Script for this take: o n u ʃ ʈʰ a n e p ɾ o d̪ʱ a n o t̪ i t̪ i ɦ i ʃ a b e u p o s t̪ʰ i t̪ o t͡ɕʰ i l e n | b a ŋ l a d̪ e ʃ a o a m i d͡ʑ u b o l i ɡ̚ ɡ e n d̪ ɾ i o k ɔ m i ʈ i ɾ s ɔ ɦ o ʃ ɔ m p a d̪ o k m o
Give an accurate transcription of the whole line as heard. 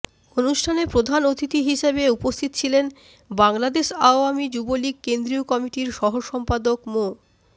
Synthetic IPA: o n u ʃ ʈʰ a n e p ɾ o d̪ʱ a n o t̪ i t̪ i ɦ i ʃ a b e u p o s t̪ʰ i t̪ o t͡ɕʰ i l e n | b a ŋ l a d̪ e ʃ a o a m i d͡ʑ u b o l i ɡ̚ k e n d̪ ɾ i o k ɔ m i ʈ i ɾ ʃ ɔ ɦ o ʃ ɔ m p a d̪ o k m o